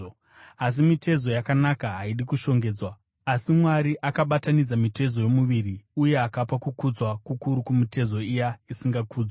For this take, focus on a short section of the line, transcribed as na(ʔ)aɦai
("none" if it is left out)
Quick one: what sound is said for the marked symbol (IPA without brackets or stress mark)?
k